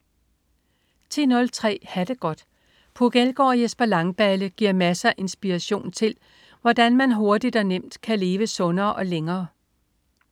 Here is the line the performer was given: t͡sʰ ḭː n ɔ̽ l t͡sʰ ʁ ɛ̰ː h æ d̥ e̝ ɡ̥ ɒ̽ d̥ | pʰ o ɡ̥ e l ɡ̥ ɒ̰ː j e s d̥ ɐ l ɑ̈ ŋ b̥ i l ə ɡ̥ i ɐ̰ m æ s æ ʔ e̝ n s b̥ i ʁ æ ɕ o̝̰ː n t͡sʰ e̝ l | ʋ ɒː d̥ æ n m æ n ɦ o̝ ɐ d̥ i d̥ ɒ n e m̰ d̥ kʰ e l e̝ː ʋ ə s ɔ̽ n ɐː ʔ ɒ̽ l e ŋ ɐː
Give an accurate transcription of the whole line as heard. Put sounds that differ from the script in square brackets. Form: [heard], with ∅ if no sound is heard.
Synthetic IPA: t͡sʰ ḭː n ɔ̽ l t͡sʰ ʁ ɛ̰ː h æ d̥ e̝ ɡ̥ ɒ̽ d̥ | pʰ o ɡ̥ e l ɡ̥ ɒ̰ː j e s [b̥] ɐ l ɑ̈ ŋ b̥ [æ] l ə ɡ̥ i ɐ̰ m æ s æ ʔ e̝ n s b̥ i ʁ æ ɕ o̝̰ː n t͡sʰ e̝ l | ʋ [ɒ] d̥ æ n m æ n ɦ o̝ ɐ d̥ i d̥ ɒ n e m̰ d̥ kʰ [æ] l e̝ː ʋ ə s ɔ̽ n ɐː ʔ ɒ̽ l e ŋ ɐː